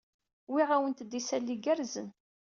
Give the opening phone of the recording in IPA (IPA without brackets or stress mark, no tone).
w